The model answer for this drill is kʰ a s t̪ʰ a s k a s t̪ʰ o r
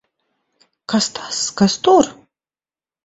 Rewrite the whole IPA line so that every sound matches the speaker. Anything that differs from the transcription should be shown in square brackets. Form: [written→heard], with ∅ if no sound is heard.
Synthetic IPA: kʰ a s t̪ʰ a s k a s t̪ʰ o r